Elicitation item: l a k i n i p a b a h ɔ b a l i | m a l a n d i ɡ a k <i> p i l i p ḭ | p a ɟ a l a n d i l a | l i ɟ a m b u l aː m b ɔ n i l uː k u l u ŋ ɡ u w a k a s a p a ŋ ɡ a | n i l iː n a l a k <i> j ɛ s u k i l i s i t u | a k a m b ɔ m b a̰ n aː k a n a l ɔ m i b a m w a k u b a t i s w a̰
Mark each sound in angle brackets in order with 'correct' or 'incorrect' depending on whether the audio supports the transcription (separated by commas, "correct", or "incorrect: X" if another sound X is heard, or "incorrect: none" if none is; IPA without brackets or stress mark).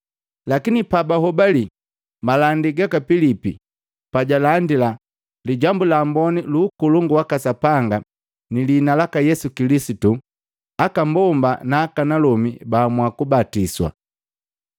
incorrect: a, incorrect: a